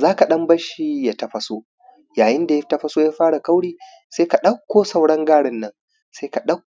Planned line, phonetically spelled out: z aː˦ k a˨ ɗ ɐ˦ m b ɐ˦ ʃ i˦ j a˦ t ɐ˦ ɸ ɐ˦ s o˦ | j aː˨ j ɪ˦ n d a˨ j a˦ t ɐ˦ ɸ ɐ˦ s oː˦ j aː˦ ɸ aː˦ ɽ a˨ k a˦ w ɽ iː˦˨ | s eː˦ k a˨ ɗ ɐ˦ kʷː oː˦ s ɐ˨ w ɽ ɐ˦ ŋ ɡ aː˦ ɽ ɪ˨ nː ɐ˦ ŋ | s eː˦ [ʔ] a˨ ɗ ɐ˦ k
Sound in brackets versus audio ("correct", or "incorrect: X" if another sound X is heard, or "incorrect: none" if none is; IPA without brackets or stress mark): incorrect: k